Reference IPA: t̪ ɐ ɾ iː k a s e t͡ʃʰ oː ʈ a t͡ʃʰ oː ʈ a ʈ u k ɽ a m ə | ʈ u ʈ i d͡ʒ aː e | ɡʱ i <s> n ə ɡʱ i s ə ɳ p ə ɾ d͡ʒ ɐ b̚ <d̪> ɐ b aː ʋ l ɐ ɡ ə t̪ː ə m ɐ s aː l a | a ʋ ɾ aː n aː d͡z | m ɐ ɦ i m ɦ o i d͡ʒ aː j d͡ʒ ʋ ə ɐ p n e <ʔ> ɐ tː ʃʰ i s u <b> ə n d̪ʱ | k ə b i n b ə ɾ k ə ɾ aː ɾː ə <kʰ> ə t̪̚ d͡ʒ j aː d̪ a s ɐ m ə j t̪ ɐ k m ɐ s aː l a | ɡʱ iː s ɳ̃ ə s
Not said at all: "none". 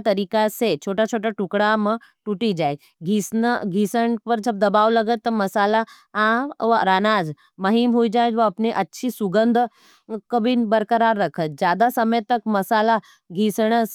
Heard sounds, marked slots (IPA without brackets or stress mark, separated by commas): s, d̪, ʔ, ɡ, kʰ